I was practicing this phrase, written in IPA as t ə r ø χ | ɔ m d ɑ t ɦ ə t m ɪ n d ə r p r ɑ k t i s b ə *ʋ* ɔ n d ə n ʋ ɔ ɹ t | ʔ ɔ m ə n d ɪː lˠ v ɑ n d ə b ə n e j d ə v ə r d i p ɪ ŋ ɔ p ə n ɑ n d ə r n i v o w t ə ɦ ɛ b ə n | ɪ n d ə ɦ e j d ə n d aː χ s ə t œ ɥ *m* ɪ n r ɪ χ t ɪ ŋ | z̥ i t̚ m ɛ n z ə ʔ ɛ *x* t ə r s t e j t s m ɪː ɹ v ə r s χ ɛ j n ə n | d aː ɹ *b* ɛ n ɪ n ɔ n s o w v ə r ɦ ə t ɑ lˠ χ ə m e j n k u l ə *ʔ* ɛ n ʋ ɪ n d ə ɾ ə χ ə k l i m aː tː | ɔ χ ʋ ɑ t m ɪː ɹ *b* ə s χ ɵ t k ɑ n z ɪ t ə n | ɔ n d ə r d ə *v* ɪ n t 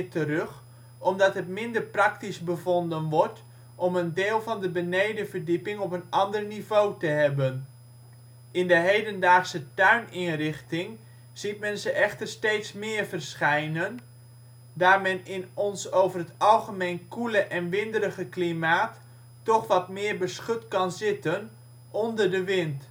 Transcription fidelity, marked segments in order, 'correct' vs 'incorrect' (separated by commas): incorrect, incorrect, incorrect, incorrect, correct, correct, incorrect